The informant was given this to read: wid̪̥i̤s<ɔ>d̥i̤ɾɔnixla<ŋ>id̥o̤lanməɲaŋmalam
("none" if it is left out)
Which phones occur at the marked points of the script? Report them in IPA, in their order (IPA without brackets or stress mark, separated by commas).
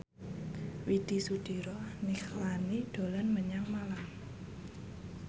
u, n